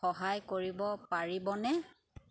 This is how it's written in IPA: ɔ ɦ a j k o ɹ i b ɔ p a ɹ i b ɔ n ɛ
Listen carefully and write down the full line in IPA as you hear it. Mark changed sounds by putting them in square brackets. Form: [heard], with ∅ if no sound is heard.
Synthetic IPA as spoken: ɔ ɦ a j k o ɹ i b ɔ p a ɹ i b ɔ n ɛ

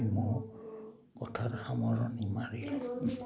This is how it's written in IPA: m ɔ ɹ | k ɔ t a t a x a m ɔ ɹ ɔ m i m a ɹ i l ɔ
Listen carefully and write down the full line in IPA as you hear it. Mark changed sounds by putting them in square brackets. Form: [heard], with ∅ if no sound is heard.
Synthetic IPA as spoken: m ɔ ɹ | k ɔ [tʰ] a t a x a m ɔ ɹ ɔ [n] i m a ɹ i l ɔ

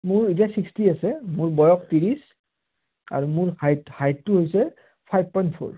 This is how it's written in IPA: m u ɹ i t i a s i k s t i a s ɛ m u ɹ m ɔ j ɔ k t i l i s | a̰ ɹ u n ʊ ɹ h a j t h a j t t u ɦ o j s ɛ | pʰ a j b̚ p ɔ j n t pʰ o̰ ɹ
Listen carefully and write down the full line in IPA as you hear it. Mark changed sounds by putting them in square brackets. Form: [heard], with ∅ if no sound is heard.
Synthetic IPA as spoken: m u ɹ i t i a s i k s t i a s ɛ m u ɹ [b] ɔ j ɔ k t i [ɹ] i s | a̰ ɹ u [m] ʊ ɹ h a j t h a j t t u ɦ o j s ɛ | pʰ a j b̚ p ɔ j n t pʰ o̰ ɹ

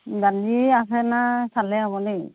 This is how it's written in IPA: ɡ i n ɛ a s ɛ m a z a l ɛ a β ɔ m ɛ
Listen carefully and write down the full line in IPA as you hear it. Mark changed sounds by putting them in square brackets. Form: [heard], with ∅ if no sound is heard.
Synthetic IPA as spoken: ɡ [a] n [i] a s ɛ [n] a [s] a l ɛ a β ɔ [n] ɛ

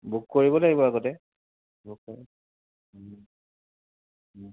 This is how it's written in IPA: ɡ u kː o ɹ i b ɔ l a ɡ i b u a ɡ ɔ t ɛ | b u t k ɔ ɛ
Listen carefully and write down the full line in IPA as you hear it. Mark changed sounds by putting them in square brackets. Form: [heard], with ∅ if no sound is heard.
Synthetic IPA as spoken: [b] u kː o ɹ i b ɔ l a ɡ i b [ɔ] a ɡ ɔ t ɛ | b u [k] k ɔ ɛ

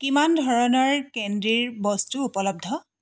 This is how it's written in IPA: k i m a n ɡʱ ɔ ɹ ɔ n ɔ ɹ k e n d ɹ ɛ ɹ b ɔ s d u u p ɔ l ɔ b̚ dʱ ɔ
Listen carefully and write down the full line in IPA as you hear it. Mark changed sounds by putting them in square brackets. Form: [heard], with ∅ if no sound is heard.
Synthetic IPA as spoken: k i m a n [dʱ] ɔ ɹ ɔ n ɔ ɹ k e n d ɹ [i] ɹ b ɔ s [t] u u p ɔ l ɔ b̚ dʱ ɔ

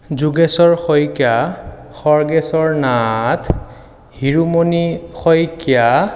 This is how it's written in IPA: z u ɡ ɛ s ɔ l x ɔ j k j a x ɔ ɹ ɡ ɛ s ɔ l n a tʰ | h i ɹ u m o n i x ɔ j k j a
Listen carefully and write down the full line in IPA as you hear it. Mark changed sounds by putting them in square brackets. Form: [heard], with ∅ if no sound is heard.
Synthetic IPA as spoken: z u ɡ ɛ s ɔ [ɹ] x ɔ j k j a x ɔ ɹ ɡ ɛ s ɔ [ɹ] n a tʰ | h i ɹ u m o n i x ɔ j k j a

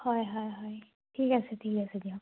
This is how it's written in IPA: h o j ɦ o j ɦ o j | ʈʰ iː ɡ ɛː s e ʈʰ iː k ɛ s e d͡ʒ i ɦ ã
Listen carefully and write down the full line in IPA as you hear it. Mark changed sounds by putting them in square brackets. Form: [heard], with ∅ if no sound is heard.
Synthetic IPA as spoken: h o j ɦ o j ɦ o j | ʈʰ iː [k] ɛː s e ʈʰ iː k ɛ s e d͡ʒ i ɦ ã

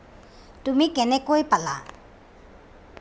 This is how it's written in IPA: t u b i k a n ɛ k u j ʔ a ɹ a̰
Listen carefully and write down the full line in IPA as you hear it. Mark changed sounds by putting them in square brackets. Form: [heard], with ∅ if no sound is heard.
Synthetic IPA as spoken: t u [m] i k [ɛ] n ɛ k [o] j [p] a [l] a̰

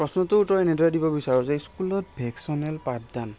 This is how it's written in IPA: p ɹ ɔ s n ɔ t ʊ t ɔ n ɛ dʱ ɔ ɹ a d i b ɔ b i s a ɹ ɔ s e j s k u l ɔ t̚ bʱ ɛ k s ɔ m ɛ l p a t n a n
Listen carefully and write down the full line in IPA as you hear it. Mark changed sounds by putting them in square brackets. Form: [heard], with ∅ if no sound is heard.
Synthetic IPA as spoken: p ɹ ɔ s n ɔ t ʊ t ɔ n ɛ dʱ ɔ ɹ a d i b ɔ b i s a ɹ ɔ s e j s k u l ɔ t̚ bʱ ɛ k s ɔ [n] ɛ l p a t [d] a n

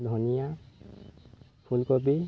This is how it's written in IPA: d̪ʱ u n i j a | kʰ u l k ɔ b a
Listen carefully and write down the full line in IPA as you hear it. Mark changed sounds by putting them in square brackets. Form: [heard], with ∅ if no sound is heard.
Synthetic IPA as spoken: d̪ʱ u n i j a | [pʰ] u l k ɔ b [i]

